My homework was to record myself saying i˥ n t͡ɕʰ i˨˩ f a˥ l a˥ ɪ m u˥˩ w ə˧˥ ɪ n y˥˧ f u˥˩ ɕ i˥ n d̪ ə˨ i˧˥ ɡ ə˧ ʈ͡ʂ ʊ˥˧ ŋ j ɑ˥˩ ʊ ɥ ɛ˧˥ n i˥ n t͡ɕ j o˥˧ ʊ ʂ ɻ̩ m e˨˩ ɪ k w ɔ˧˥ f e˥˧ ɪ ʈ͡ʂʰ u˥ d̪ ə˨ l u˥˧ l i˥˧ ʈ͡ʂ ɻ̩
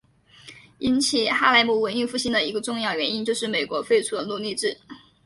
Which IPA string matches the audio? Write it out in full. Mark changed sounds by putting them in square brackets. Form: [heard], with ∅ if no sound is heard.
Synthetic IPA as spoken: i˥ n t͡ɕʰ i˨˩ [x] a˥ l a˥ ɪ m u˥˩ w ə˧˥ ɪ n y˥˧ f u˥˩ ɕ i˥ n d̪ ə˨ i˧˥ ɡ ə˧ ʈ͡ʂ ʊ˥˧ ŋ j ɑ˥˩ ʊ ɥ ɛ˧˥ n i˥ n t͡ɕ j o˥˧ ʊ ʂ ɻ̩ m e˨˩ ɪ k w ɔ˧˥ f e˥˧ ɪ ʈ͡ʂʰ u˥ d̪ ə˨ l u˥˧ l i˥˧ ʈ͡ʂ ɻ̩